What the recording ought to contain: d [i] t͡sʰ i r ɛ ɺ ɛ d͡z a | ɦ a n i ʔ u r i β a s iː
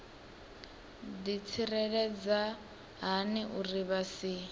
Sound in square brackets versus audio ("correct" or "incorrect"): correct